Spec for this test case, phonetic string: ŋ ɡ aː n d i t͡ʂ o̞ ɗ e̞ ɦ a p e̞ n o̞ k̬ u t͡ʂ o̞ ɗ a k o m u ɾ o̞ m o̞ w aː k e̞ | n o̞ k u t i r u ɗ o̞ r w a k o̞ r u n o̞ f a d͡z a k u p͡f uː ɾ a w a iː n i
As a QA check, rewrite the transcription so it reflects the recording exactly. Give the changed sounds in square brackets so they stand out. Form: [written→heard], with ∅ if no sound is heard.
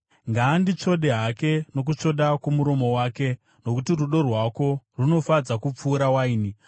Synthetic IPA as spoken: ŋ ɡ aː n d i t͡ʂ o̞ ɗ e̞ ɦ a [p→k] e̞ n o̞ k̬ u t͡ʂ o̞ ɗ a k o m u ɾ o̞ m o̞ w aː k e̞ | n o̞ k u t i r u ɗ o̞ r w a k o̞ r u n o̞ f a d͡z a k u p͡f uː ɾ a w a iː n i